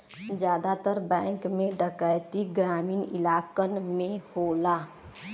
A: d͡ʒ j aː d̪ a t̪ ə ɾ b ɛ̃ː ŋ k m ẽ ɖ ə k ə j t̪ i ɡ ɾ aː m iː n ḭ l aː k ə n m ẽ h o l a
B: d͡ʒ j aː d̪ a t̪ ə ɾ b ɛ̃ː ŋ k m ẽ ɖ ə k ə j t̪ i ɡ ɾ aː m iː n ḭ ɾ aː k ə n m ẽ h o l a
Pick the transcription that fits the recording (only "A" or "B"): A